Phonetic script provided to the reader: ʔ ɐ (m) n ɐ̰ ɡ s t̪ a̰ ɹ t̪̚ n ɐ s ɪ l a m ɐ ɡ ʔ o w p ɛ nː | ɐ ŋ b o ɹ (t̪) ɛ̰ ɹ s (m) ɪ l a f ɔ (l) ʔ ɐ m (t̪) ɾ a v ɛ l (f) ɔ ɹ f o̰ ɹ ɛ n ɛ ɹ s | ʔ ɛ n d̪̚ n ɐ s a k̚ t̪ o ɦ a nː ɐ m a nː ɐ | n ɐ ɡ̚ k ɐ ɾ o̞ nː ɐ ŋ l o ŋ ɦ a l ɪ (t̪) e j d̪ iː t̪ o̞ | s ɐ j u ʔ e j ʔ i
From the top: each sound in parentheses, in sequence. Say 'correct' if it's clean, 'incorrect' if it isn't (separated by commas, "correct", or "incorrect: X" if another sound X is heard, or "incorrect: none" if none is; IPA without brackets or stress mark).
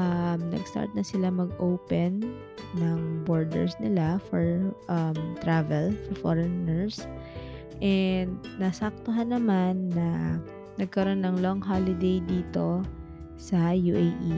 correct, incorrect: d̪, incorrect: n, incorrect: ɹ, correct, correct, incorrect: d̪